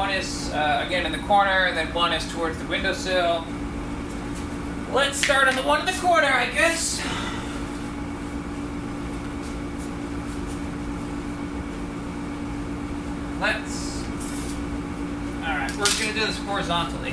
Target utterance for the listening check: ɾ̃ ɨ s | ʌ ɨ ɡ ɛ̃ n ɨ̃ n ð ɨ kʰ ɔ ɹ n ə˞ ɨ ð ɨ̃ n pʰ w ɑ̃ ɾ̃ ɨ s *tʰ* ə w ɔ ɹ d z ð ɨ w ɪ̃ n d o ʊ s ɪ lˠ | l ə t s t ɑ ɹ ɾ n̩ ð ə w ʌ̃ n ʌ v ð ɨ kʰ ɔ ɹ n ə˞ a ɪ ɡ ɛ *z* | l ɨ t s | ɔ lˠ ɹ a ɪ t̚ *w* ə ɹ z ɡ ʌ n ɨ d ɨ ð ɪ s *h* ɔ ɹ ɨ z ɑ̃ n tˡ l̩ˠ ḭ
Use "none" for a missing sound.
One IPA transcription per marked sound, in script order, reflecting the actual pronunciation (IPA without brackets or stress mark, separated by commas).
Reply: tʰ, s, w, h